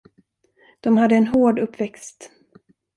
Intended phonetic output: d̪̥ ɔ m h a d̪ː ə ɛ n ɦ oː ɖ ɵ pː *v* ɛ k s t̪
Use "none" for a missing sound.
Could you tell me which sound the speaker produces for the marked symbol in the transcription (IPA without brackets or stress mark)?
v